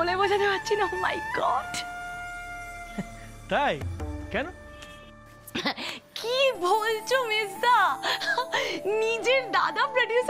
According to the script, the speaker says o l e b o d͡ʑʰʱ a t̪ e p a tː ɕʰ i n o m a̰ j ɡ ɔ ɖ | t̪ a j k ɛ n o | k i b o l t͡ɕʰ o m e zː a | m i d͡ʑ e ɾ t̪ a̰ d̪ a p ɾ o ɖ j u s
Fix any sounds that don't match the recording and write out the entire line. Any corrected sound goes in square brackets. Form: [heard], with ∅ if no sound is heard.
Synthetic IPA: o l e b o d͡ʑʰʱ a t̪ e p a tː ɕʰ i n o m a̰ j ɡ ɔ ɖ | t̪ a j k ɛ n o | k i b o l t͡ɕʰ o m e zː a | [n] i d͡ʑ e ɾ [d̪] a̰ d̪ a p ɾ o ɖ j u s

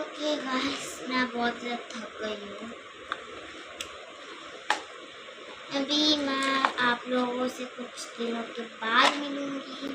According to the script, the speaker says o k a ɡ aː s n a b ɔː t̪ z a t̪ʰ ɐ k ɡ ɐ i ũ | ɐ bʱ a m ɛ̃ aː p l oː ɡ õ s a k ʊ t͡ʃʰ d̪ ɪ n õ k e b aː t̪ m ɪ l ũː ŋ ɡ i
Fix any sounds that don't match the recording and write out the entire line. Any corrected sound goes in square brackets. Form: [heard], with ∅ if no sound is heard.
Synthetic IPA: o k [e] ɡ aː s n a b ɔː t̪ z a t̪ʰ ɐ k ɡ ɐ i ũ | ɐ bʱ [i] m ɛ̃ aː p l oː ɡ õ s [e] k ʊ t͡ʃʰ d̪ ɪ n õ k e b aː [d̪] m ɪ l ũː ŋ ɡ i

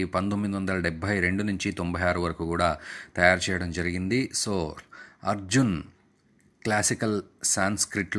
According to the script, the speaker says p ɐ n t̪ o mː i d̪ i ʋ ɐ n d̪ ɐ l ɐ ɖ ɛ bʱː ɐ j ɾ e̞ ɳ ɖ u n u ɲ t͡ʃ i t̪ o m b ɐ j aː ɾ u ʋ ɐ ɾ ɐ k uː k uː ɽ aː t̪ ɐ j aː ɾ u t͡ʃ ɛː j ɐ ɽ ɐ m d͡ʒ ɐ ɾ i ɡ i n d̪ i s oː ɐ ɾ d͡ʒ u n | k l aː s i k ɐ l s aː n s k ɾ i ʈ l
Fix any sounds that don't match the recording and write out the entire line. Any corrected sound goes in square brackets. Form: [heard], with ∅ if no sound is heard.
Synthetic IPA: p ɐ n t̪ o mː i d̪ i ʋ ɐ n d̪ ɐ l ɐ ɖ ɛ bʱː ɐ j ɾ e̞ ɳ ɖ u n u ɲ t͡ʃ i t̪ o m b ɐ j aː ɾ u ʋ ɐ ɾ ɐ k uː k uː ɽ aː t̪ ɐ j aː ɾ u t͡ʃ ɛː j ɐ ɽ ɐ m d͡ʒ ɐ ɾ i ɡ i n d̪ i s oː ɐ ɾ d͡ʒ u n | k l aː s i k ɐ l s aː n s k ɾ i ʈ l

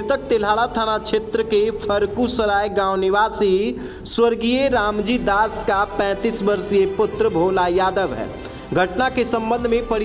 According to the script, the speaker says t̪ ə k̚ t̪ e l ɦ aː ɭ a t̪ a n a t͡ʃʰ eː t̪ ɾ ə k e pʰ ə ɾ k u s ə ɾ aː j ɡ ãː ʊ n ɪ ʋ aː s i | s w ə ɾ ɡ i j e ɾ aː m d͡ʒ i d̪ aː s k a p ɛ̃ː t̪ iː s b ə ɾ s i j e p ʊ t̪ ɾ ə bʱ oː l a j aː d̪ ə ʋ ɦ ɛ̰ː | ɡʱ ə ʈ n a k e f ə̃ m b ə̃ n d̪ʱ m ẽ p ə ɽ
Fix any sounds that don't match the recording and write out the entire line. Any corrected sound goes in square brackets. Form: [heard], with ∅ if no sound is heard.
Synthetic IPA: t̪ ə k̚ t̪ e l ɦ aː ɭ a [t̪ʰ] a n a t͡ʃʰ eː t̪ ɾ ə k e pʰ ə ɾ k u s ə ɾ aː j ɡ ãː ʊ n ɪ ʋ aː s i | s w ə ɾ ɡ i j e ɾ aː m d͡ʒ i d̪ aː s k a p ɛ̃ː t̪ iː s b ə ɾ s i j e p ʊ t̪ ɾ ə bʱ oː l a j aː d̪ ə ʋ ɦ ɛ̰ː | ɡʱ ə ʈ n a k e [s] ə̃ m b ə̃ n d̪ʱ m ẽ p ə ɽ

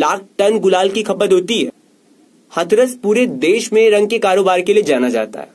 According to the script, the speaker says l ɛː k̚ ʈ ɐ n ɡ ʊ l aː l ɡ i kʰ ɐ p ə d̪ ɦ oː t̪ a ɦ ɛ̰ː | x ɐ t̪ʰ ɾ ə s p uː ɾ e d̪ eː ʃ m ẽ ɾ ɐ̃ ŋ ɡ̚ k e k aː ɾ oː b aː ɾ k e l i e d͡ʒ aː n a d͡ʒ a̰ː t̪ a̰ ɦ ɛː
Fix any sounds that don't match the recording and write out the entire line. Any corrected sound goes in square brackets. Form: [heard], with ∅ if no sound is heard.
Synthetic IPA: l [aː] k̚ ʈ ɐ n ɡ ʊ l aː l [k] i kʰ ɐ p ə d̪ ɦ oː t̪ [i] ɦ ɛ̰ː | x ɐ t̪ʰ ɾ ə s p uː ɾ e d̪ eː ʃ m ẽ ɾ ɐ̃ ŋ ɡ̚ k e k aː ɾ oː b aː ɾ k e l i e d͡ʒ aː n a d͡ʒ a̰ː t̪ a̰ ɦ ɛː

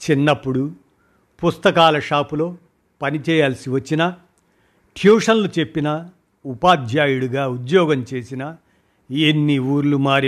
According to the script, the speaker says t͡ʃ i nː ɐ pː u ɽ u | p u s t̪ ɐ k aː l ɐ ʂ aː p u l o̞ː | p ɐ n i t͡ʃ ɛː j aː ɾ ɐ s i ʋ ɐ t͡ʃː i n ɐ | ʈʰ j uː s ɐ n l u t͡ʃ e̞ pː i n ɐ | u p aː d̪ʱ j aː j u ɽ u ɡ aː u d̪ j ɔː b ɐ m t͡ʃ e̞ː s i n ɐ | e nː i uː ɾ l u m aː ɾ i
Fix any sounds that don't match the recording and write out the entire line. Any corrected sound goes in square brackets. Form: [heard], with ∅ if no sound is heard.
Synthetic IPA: t͡ʃ i nː ɐ pː u ɽ u | p u s t̪ ɐ k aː l ɐ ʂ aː p u l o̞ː | p ɐ n i t͡ʃ ɛː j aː [l] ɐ s i ʋ ɐ t͡ʃː i n ɐ | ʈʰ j uː [ʂ] ɐ n l u t͡ʃ e̞ pː i n ɐ | u p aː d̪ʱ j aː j u ɽ u ɡ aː u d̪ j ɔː [ɡ] ɐ m t͡ʃ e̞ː s i n ɐ | e nː i uː ɾ l u m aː ɾ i

